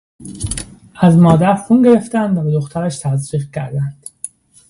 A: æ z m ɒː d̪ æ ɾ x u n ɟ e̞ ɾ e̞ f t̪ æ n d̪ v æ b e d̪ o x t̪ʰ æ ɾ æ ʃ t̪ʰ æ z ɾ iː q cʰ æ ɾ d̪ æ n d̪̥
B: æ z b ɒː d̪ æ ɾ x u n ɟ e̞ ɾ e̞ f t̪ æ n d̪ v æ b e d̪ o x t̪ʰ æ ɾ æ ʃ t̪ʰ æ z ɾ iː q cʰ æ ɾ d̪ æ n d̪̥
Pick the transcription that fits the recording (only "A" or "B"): A